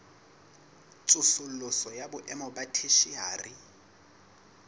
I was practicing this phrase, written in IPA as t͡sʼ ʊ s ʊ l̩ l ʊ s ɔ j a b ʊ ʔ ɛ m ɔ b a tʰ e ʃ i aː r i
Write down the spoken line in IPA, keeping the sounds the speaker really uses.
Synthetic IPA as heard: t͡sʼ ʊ s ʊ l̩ l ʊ s ɔ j a b ʊ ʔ ɛ m ɔ b a tʰ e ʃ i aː r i